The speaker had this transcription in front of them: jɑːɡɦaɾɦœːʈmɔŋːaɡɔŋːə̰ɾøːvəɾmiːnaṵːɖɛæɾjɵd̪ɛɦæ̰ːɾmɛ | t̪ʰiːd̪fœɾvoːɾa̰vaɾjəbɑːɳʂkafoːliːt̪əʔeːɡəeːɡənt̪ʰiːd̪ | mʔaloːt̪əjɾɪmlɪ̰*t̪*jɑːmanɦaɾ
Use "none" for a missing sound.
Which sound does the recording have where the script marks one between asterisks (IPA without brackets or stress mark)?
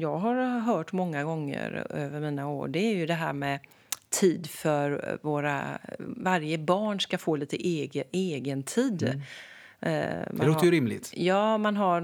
t̪